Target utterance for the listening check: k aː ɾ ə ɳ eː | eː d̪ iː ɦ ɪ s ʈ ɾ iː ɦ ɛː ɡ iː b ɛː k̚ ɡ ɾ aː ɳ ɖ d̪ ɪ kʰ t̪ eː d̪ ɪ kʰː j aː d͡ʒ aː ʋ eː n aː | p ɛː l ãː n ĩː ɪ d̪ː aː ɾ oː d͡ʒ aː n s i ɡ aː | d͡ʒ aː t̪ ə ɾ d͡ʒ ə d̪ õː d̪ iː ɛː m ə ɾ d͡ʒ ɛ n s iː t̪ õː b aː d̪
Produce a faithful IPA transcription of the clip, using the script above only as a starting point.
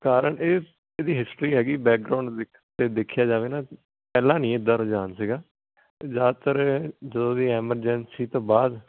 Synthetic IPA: k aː ɾ ə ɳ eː | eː d̪ iː ɦ ɪ s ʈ ɾ iː ɦ ɛː ɡ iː b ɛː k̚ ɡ ɾ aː ɳ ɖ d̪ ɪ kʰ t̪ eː d̪ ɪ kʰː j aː d͡ʒ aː ʋ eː n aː | p ɛː l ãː n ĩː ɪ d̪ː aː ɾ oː d͡ʒ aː n s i ɡ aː | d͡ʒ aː t̪ ə ɾ d͡ʒ ə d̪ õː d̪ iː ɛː m ə ɾ d͡ʒ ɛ n s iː t̪ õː b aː d̪